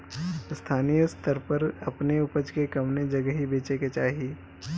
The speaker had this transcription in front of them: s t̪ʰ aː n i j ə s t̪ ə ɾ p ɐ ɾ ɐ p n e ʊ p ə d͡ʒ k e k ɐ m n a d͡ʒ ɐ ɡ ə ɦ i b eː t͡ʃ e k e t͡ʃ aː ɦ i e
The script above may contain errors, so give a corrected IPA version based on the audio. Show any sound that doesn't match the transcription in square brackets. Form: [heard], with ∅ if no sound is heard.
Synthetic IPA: s t̪ʰ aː n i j ə s t̪ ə ɾ p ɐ ɾ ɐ p n e ʊ p ə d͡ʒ k e k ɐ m n [e] d͡ʒ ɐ ɡ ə ɦ i b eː t͡ʃ e k e t͡ʃ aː ɦ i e